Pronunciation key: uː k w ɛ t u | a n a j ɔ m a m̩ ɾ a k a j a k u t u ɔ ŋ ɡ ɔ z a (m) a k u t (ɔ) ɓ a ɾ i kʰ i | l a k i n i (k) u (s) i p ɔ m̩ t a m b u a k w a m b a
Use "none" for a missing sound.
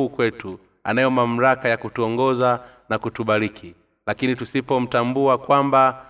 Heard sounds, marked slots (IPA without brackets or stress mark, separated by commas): n, u, t, s